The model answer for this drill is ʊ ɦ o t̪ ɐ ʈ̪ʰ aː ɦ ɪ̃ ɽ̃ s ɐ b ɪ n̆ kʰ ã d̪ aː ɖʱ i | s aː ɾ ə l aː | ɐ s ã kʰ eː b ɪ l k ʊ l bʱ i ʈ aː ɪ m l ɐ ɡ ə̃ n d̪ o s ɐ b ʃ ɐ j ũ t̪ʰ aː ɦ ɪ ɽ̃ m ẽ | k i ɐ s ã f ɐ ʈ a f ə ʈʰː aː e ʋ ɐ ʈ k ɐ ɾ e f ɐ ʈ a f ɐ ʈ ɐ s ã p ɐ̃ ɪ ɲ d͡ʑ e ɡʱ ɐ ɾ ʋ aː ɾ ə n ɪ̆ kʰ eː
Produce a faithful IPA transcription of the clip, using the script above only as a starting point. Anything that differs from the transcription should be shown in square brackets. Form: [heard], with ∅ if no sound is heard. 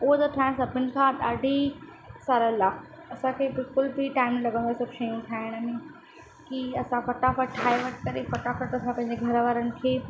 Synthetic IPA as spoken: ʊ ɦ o t̪ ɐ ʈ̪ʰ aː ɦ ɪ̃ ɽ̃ s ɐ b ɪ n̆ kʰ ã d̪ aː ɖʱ i | s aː ɾ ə l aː | ɐ s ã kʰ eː b ɪ l k ʊ l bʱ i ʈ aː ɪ m l ɐ ɡ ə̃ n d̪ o s ɐ b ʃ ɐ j ũ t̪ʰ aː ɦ ɪ ɽ̃ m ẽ | k i ɐ s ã f ɐ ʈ a f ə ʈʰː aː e ʋ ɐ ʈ k ɐ ɾ e f ɐ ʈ a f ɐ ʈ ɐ s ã p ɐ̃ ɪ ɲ d͡ʑ e ɡʱ ɐ ɾ ʋ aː ɾ ə n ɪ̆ kʰ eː